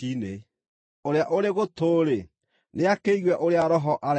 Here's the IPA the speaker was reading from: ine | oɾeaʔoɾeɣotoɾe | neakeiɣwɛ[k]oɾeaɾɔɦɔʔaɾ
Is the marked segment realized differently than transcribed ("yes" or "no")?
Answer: yes